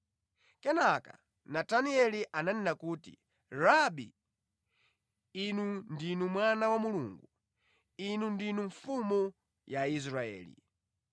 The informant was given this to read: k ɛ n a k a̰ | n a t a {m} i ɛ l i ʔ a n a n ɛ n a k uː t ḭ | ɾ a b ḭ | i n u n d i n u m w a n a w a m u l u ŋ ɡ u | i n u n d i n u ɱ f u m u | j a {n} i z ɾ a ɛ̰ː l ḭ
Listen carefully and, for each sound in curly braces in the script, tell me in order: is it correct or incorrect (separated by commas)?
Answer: incorrect, incorrect